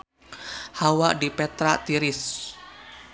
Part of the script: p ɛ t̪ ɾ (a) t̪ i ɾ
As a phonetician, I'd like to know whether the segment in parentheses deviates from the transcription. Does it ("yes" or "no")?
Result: no